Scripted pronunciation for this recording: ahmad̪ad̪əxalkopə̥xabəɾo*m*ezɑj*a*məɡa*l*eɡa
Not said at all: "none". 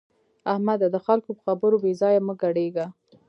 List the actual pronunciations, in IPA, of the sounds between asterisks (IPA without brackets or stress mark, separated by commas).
b, a, ɽ